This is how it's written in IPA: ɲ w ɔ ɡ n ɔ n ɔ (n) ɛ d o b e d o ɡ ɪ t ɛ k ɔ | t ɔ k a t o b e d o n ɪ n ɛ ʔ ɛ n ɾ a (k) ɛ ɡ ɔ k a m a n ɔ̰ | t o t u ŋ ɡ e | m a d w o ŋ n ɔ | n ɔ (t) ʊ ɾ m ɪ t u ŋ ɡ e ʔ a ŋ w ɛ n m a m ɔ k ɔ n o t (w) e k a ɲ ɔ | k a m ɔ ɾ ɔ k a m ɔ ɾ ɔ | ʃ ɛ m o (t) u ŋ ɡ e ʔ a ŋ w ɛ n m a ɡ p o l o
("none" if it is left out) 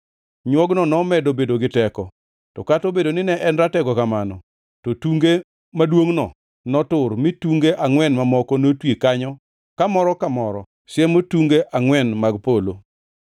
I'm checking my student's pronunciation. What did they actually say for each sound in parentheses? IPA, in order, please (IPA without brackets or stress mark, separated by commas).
m, t, t, w, t